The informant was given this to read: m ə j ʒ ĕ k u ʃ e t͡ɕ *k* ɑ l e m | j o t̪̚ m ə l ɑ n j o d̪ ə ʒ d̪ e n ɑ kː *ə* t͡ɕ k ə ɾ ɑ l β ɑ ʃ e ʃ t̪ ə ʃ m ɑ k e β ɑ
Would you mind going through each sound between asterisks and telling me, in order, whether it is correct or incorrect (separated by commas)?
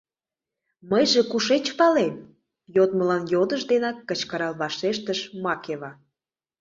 incorrect, correct